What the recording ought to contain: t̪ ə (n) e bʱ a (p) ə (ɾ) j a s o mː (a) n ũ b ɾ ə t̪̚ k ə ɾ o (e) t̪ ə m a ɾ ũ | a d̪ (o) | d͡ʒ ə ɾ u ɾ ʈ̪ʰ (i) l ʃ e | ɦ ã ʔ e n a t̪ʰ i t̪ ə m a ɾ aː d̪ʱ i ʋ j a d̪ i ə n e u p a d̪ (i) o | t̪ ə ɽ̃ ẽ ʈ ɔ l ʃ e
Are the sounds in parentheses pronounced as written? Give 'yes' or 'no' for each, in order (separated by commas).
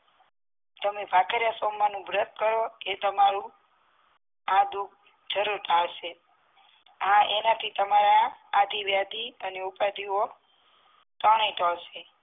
no, no, yes, yes, yes, no, no, yes